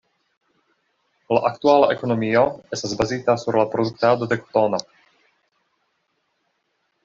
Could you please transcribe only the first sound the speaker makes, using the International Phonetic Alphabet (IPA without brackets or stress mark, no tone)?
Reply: l